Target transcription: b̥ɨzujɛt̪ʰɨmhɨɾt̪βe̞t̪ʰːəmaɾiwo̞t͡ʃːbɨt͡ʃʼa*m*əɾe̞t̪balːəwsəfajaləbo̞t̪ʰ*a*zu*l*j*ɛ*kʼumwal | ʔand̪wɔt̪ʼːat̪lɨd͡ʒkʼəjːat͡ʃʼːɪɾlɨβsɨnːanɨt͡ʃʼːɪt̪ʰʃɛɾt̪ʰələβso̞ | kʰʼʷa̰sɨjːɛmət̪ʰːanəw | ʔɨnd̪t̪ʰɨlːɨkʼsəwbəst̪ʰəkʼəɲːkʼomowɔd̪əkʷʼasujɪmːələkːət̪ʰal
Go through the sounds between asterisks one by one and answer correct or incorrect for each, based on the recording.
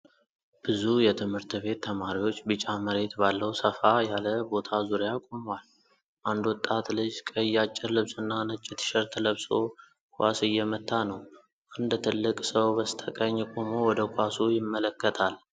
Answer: correct, correct, incorrect: ɾ, incorrect: a

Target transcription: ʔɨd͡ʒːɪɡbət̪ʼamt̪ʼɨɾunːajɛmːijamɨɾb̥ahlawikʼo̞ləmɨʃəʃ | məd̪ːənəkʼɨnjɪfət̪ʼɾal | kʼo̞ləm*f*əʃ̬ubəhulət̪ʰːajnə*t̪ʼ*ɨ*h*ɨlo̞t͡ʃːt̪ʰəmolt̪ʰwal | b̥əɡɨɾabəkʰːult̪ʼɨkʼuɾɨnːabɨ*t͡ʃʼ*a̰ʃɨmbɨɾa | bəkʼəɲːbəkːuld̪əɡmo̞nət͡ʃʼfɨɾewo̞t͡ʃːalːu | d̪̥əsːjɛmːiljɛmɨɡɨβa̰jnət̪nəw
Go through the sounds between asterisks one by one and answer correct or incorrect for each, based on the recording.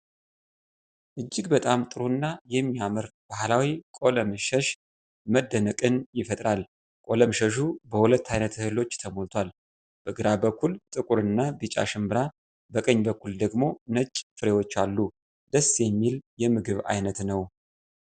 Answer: incorrect: ʃ, incorrect: t̪, correct, correct

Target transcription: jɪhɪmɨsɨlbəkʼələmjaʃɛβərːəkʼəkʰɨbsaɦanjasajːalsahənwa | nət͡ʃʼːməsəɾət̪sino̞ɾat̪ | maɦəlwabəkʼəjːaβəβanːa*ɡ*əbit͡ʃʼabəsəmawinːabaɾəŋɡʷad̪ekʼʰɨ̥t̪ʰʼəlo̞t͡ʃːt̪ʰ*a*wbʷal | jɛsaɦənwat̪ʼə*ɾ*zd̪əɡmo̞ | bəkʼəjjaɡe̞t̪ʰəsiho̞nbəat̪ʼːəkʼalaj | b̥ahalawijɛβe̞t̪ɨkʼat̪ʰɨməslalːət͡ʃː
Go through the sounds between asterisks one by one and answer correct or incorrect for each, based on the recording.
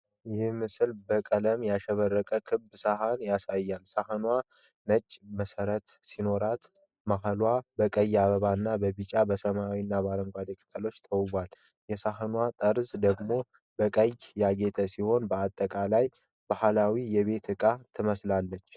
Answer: incorrect: b, incorrect: ə, correct

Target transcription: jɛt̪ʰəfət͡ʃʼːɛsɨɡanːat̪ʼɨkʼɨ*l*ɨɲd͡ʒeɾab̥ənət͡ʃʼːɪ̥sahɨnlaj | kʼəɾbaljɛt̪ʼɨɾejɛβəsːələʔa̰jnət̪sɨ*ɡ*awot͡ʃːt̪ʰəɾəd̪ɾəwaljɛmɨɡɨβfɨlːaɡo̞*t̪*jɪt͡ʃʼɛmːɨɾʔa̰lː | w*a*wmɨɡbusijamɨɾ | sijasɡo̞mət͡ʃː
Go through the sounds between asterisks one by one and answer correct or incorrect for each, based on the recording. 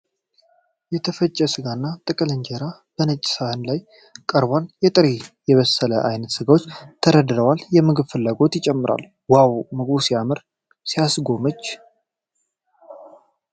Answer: correct, correct, correct, correct

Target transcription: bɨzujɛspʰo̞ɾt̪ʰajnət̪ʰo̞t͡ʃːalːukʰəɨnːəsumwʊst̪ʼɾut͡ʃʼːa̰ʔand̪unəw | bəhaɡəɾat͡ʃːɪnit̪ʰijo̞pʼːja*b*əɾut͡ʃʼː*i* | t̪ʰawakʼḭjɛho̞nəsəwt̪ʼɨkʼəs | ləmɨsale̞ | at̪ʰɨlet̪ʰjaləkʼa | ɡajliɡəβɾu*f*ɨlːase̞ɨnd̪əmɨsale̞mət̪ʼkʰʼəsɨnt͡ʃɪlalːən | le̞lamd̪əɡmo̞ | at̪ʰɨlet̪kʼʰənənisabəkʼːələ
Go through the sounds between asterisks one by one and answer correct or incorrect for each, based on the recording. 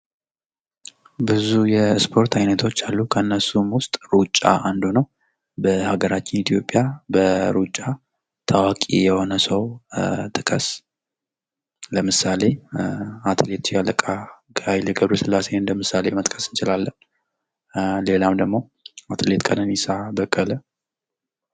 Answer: correct, incorrect: a, incorrect: s

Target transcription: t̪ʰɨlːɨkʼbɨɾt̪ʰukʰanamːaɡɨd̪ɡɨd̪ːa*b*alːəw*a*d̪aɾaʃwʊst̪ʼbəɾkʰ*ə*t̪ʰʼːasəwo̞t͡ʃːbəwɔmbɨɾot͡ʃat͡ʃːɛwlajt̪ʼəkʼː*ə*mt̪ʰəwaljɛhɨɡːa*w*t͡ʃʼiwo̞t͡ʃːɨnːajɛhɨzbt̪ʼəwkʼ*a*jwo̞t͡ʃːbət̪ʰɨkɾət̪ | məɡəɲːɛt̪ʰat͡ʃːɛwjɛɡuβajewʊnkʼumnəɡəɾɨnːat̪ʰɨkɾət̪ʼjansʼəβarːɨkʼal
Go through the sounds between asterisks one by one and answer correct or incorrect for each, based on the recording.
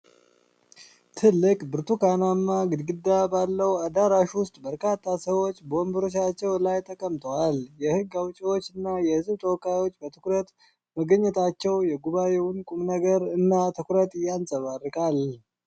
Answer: correct, correct, incorrect: a, correct, correct, correct

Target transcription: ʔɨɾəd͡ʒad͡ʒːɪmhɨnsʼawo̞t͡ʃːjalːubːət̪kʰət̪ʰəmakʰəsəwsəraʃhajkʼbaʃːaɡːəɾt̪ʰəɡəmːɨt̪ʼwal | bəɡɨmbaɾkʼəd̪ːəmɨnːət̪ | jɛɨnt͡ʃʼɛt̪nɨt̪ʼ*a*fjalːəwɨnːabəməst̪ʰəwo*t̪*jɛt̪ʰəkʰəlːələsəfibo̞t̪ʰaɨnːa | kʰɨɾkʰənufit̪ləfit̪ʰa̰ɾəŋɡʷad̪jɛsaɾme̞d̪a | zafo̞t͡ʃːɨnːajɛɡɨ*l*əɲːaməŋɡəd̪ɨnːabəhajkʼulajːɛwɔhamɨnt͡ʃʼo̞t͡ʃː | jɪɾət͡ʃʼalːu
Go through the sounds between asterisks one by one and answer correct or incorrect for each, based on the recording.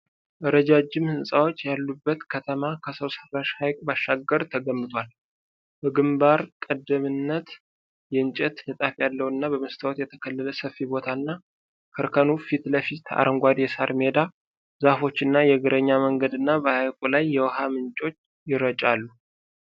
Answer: correct, correct, incorrect: ɾ

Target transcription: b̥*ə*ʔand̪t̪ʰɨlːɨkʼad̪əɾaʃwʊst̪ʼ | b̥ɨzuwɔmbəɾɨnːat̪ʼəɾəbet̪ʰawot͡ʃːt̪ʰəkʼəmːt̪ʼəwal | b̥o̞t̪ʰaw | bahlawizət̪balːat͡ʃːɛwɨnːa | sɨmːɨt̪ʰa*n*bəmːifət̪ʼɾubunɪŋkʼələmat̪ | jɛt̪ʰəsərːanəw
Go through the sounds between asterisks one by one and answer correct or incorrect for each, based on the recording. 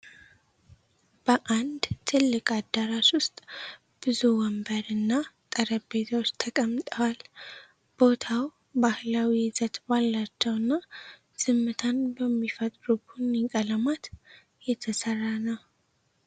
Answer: correct, correct

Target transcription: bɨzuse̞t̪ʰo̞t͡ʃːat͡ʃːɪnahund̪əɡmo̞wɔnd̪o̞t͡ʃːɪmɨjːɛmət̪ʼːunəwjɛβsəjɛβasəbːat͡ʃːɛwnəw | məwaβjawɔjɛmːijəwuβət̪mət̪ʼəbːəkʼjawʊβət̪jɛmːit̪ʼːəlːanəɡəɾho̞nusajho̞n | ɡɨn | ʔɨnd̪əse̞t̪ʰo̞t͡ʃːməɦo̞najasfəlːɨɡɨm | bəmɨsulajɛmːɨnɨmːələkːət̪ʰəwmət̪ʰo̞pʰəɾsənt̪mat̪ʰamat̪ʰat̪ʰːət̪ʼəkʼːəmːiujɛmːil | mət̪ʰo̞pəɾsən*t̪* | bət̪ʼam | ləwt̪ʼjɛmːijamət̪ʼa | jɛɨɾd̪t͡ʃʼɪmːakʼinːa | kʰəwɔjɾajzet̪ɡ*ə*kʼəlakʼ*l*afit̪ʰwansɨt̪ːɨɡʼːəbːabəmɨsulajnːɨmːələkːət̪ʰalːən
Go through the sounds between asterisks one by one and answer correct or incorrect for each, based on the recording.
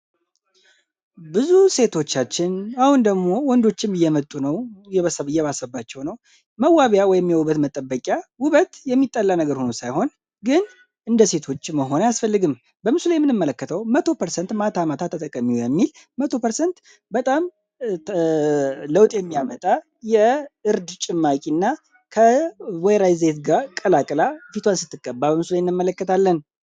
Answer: correct, incorrect: a, correct

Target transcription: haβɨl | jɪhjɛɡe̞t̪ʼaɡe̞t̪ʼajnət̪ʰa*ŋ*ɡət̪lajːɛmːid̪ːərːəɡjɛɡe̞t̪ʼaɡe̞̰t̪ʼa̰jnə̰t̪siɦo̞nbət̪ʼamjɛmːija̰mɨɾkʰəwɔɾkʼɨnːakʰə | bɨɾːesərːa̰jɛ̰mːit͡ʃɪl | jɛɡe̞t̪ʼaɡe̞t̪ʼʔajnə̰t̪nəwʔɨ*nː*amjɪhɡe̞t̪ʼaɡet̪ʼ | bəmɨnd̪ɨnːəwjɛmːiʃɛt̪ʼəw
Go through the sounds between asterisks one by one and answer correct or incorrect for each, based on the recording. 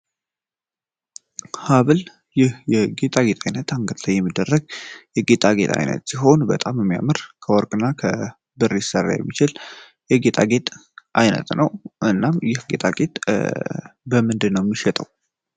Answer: correct, correct

